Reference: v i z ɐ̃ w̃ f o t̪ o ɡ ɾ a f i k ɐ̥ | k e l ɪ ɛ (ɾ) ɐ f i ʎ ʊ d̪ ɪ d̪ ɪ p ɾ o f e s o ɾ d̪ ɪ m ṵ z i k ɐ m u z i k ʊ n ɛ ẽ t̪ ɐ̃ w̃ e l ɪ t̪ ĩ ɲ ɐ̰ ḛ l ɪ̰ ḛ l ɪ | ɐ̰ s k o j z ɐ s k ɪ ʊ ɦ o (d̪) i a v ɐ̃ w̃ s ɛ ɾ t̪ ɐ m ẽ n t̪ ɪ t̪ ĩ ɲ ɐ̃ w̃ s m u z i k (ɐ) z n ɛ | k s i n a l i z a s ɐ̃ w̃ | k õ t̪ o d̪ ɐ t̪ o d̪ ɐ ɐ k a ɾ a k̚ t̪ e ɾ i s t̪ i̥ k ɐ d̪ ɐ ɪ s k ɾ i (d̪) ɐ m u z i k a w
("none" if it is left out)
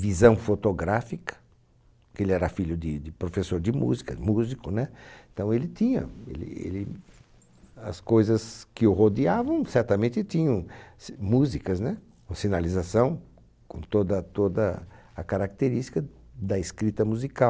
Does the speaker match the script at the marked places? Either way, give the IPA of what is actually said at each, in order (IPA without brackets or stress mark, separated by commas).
ɾ, d̪, ɐ, t̪